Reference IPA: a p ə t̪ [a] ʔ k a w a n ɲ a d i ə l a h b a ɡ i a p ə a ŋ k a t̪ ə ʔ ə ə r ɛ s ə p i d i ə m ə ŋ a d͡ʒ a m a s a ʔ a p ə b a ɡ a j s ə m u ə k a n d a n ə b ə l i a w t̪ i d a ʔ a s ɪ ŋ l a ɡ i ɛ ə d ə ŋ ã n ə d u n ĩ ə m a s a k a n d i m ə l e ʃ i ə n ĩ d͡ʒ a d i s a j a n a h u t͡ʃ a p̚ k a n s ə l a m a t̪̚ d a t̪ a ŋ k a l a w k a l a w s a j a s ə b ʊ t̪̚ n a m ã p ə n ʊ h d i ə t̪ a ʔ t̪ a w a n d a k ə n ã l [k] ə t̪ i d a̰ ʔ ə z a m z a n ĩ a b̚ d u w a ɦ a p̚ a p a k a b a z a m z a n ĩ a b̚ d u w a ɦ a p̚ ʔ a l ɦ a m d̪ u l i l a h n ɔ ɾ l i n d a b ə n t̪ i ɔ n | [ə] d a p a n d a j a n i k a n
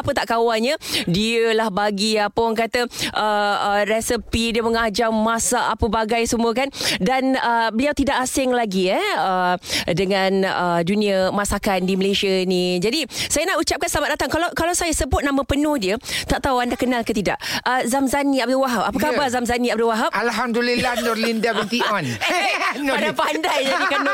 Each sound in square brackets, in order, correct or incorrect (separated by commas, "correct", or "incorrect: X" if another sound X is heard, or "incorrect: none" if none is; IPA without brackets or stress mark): correct, correct, incorrect: a